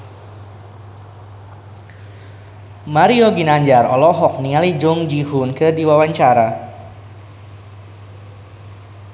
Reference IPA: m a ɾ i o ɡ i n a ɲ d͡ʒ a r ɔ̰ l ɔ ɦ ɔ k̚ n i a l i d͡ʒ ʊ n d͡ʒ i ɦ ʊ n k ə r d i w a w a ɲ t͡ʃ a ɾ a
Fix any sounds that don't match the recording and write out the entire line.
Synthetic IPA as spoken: m a ɾ i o ɡ i n a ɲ d͡ʒ a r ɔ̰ l ɔ ɦ ɔ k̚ n i a l i d͡ʒ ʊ ŋ d͡ʒ i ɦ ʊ n k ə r d i w a w a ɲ t͡ʃ a ɾ a

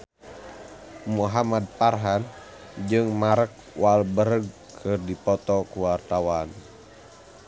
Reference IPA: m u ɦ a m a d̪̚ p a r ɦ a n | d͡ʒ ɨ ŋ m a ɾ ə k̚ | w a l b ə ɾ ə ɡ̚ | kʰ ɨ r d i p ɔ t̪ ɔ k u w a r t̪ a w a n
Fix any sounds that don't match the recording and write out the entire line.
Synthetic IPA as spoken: m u ɦ a m a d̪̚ p a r ɦ a n | d͡ʒ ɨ ŋ m a ɾ ə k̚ | w a l b ə ɾ ə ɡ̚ | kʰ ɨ r d i p ɔ t̪ ɔ k u w a r t̪ a w a n

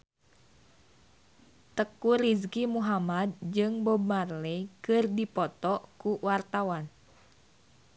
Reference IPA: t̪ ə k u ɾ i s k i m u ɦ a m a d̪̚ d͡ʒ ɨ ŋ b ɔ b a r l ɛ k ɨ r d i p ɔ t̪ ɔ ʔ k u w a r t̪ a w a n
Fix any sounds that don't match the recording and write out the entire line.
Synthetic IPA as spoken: t̪ ə k u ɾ i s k i m u ɦ a m a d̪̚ d͡ʒ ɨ ŋ b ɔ b a r l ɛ k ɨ r d i p ɔ t̪ ɔ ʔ k u w a r t̪ a w a n

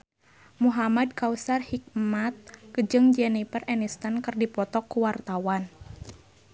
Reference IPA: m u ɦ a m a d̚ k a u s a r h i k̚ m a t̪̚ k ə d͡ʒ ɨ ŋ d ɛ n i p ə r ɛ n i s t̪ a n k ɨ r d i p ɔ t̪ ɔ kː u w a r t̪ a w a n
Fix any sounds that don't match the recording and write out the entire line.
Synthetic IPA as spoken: m u ɦ a m a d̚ k a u s a r h i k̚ m a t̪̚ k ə d͡ʒ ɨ ŋ d͡ʒ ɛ n i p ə r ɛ n i s t̪ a n k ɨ r d i p ɔ t̪ ɔ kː u w a r t̪ a w a n

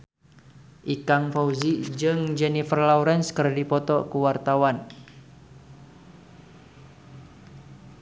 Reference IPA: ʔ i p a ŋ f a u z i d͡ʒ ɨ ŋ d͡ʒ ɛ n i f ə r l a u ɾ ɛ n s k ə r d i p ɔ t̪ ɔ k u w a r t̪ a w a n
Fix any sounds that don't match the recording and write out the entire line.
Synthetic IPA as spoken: ʔ i k a ŋ f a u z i d͡ʒ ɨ ŋ d͡ʒ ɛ n i f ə r l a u ɾ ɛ n s k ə r d i p ɔ t̪ ɔ k u w a r t̪ a w a n

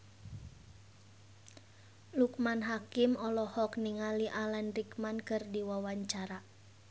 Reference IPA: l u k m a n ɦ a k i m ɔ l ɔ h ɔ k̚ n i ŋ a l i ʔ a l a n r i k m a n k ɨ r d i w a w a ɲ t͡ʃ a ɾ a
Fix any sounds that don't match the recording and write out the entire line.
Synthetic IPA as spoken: l u k m a n ɦ a k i m ɔ l ɔ h ɔ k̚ n i ŋ a l i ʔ a l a n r i k m a n k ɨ r d i w a w a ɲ t͡ʃ a ɾ a

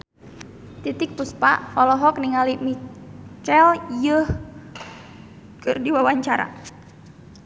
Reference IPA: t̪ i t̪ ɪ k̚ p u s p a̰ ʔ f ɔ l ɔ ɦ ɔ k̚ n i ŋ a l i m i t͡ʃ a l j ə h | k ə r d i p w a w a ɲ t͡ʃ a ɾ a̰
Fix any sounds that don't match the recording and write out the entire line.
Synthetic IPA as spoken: t̪ i t̪ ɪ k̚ p u s p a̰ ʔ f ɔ l ɔ ɦ ɔ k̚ n i ŋ a l i m i t͡ʃ ɛ l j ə h | k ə r d i w a w a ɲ t͡ʃ a ɾ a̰

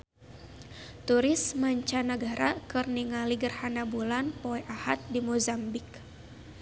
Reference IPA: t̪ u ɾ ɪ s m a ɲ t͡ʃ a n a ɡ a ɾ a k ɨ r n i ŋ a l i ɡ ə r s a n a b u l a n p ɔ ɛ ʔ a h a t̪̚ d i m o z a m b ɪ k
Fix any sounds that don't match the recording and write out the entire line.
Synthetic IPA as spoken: t̪ u ɾ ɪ s m a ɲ t͡ʃ a n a ɡ a ɾ a k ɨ r n i ŋ a l i ɡ ə r h a n a b u l a n p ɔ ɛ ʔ a h a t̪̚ d i m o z a m b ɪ k

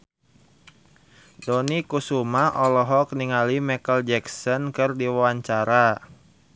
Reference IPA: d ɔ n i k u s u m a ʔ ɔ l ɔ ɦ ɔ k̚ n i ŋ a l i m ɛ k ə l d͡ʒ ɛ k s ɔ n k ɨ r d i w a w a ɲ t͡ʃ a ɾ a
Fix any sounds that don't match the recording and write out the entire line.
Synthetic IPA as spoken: d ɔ n i k u s u m a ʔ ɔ l ɔ ɦ ɔ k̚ n i ŋ a l i m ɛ k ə l d͡ʒ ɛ k s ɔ n k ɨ r d i w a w a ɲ t͡ʃ a ɾ a

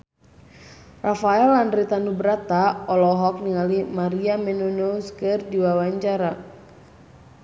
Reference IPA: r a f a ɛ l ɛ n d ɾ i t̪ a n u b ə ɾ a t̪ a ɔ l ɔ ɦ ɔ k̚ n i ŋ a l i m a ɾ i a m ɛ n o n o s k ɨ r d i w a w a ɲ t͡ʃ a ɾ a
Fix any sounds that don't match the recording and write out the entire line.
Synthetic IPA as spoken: r a f a ɛ l a n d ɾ i t̪ a n u b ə ɾ a t̪ a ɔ l ɔ ɦ ɔ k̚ n i ŋ a l i m a ɾ i a m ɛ n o n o s k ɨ r d i w a w a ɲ t͡ʃ a ɾ a

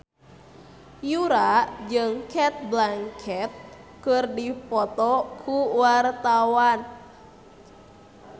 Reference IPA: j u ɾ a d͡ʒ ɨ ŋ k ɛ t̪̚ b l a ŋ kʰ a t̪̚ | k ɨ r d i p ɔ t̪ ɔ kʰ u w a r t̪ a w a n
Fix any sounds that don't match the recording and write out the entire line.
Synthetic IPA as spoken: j u ɾ a d͡ʒ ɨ ŋ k ɛ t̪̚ b l a ŋ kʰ ɛ t̪̚ | k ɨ r d i p ɔ t̪ ɔ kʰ u w a r t̪ a w a n

